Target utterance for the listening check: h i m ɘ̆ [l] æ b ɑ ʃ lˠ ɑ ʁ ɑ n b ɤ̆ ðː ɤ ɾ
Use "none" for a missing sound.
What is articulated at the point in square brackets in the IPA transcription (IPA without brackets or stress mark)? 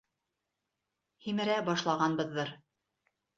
ɾ